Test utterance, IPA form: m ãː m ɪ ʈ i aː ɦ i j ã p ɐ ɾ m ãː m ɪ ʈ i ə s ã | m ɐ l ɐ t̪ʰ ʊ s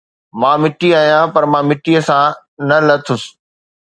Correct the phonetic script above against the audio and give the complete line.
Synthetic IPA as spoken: m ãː m ɪ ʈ i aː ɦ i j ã p ɐ ɾ m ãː m ɪ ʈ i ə s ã | n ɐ l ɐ t̪ʰ ʊ s